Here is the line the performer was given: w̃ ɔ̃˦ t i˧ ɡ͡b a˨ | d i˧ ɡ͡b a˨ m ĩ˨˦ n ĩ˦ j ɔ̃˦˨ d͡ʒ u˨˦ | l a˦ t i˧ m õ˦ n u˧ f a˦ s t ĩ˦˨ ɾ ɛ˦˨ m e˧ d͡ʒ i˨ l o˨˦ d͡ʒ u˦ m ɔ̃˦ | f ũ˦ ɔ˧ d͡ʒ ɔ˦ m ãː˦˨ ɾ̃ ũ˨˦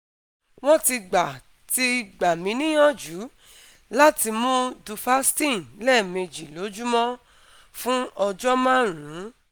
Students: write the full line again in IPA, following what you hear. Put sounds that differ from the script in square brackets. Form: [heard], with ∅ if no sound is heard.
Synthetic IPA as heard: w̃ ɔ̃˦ t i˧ ɡ͡b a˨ | [t] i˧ ɡ͡b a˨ m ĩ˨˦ n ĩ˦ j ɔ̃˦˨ d͡ʒ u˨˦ | l a˦ t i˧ m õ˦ [d] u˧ f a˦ s t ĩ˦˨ [l] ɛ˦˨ m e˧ d͡ʒ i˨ l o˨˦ d͡ʒ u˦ m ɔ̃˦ | f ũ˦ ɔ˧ d͡ʒ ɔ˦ m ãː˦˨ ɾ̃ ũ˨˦